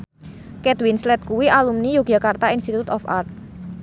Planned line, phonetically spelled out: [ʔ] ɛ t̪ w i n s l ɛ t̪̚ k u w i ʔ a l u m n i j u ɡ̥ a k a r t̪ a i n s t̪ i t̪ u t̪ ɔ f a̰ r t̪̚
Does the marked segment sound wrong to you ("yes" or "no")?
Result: yes